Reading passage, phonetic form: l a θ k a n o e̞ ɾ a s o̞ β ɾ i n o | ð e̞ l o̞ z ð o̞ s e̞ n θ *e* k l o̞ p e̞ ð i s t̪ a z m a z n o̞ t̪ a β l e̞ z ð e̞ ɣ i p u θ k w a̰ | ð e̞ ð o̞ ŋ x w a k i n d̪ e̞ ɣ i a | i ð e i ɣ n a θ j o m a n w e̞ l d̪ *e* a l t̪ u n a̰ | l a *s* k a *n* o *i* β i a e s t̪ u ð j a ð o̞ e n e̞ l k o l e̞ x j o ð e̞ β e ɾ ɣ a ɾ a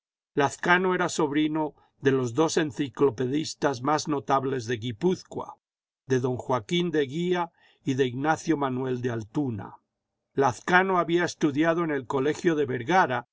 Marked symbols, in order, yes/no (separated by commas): no, yes, no, yes, no